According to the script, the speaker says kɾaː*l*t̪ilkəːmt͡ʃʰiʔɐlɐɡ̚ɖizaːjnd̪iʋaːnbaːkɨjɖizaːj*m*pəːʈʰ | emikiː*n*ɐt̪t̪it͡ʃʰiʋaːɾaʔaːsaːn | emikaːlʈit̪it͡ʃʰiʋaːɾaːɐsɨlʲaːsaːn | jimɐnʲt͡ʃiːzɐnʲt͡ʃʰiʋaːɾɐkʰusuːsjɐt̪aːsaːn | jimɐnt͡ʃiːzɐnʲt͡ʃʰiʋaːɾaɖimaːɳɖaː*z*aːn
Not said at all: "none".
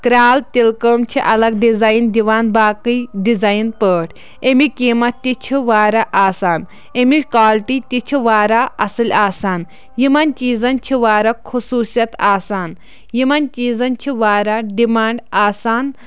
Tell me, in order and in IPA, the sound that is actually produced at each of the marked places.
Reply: l, n, m, s

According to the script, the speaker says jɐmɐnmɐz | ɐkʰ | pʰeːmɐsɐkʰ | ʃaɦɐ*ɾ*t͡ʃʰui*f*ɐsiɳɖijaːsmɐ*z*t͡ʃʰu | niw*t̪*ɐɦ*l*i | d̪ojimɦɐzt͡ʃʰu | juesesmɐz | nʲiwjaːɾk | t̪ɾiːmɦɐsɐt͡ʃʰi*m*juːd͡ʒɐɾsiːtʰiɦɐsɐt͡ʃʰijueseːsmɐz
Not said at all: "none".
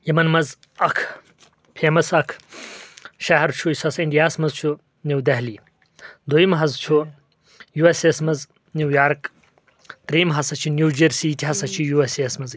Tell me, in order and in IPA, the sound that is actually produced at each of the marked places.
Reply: ɾ, s, z, d̪, l, n

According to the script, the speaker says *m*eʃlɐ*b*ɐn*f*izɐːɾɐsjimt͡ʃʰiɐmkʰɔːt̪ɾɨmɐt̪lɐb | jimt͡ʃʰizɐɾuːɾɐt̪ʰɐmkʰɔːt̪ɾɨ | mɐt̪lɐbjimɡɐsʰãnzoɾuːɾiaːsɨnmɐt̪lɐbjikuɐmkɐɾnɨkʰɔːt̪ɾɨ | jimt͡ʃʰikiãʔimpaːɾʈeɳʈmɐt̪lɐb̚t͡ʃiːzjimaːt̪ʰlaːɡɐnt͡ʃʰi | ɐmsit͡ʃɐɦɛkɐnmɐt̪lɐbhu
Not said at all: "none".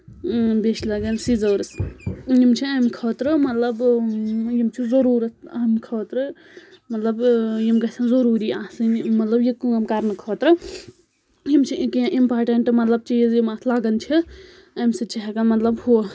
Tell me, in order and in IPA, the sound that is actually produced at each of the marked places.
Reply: b, ɡ, s

